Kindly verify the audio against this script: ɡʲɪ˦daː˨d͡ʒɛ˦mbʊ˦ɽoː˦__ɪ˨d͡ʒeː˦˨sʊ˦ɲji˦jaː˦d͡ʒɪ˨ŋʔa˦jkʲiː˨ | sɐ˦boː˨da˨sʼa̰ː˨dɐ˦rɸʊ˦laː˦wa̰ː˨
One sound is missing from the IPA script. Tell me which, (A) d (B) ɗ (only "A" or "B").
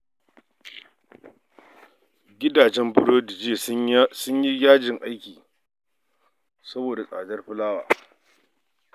A